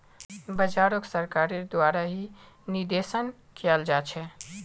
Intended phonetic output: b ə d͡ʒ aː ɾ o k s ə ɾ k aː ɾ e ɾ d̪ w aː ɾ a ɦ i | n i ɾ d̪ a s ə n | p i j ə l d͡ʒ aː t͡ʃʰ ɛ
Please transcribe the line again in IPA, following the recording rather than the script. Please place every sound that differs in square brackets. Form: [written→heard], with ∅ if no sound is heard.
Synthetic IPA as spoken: b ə d͡ʒ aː ɾ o k s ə ɾ k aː ɾ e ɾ d̪ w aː ɾ a ɦ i | n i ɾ d̪ [a→e] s ə n | [p→k] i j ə l d͡ʒ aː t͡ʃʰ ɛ